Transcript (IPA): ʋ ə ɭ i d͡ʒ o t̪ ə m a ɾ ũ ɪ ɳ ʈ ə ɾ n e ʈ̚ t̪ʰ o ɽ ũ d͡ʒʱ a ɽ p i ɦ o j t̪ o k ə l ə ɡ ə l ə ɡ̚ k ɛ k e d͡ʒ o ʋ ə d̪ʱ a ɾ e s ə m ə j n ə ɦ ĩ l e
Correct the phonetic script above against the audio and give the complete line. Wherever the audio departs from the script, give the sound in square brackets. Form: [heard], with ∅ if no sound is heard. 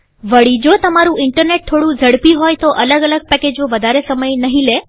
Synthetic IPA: ʋ ə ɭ i d͡ʒ o t̪ ə m a ɾ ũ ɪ ɳ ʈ ə ɾ n e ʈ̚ t̪ʰ o ɽ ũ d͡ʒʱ [ə] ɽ p i ɦ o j t̪ o [ʔ] ə l ə ɡ ə l ə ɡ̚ [p] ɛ k e d͡ʒ o ʋ ə d̪ʱ a ɾ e s ə m ə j n ə ɦ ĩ l e